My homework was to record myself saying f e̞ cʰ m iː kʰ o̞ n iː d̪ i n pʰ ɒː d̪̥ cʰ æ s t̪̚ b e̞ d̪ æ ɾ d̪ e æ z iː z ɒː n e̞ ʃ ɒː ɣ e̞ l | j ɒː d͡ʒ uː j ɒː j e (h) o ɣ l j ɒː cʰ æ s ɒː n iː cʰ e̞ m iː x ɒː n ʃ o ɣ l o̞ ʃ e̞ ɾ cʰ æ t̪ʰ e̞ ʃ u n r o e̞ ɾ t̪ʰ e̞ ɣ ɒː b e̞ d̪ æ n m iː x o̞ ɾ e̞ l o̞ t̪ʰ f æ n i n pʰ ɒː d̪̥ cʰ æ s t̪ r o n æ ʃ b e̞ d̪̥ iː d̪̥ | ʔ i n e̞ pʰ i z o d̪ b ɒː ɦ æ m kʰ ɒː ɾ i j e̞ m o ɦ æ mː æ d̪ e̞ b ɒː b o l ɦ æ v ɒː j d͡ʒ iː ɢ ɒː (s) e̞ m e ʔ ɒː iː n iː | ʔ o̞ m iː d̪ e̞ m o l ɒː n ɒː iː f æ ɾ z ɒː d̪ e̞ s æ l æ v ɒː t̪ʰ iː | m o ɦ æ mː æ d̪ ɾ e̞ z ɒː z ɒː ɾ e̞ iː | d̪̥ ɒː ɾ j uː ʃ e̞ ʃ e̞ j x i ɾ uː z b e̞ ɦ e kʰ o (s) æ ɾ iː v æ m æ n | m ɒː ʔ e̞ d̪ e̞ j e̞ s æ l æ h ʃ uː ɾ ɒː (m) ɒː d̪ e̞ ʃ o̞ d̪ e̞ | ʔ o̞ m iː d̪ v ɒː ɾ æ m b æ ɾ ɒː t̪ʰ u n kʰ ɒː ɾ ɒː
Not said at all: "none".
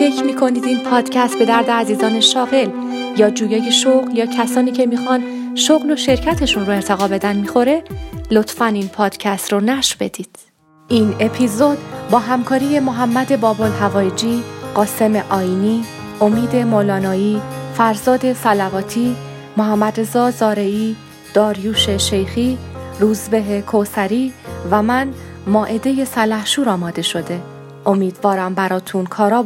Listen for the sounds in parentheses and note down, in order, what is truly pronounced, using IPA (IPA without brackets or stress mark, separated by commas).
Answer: ʃ, s, s, m